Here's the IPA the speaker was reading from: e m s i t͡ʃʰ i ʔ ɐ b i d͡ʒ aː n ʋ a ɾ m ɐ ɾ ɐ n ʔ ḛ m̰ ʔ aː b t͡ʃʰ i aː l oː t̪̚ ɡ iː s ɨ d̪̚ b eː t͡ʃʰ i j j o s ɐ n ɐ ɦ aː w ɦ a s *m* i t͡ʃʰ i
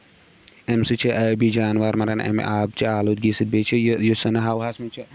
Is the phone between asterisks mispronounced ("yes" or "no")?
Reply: no